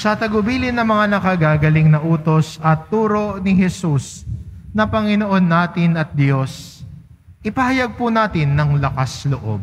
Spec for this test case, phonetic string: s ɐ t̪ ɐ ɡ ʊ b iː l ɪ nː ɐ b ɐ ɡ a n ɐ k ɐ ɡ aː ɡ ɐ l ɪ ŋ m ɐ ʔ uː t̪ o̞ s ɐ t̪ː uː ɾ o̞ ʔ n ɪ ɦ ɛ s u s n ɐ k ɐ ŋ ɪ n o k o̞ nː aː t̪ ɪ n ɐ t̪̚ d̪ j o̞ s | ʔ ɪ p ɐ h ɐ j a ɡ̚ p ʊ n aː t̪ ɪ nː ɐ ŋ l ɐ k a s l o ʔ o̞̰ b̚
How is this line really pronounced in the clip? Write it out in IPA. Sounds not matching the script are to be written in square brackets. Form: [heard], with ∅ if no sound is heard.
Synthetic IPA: s ɐ t̪ ɐ ɡ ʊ b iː l ɪ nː ɐ [m] ɐ [ŋ] a n ɐ k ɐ ɡ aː ɡ ɐ l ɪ ŋ [n] ɐ ʔ uː t̪ o̞ s ɐ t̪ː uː ɾ o̞ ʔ n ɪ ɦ ɛ s u s n ɐ [p] ɐ ŋ ɪ n o [ʔ] o̞ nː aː t̪ ɪ n ɐ t̪̚ d̪ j o̞ s | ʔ ɪ p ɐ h ɐ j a ɡ̚ p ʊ n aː t̪ ɪ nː ɐ ŋ l ɐ k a s l o ʔ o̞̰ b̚